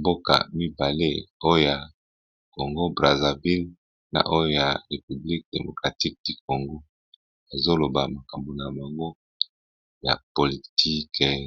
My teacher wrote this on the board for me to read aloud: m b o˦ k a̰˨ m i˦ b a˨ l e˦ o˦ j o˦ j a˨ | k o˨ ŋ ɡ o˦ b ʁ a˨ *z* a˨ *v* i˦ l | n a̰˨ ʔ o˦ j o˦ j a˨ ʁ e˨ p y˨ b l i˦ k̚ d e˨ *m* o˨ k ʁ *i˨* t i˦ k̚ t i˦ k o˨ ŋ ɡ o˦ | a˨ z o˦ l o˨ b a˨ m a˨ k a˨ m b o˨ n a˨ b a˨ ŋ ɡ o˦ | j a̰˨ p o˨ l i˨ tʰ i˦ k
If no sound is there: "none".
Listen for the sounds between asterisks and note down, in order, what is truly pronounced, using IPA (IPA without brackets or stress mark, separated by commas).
z, v, m, a˨